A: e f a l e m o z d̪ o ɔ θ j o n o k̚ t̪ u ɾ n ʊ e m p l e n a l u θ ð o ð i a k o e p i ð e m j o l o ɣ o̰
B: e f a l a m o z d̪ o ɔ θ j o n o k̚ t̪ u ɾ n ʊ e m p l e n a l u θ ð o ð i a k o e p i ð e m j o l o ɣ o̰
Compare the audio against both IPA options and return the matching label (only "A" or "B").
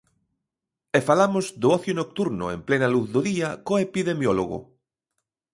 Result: B